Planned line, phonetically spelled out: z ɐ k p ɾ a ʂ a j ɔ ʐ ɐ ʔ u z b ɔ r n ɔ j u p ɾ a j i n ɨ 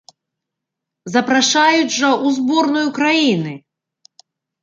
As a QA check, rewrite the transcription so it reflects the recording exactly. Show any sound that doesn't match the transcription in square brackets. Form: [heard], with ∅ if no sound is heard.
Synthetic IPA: z ɐ [∅] p ɾ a ʂ a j [u] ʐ ɐ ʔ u z b ɔ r n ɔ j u [k] ɾ a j i n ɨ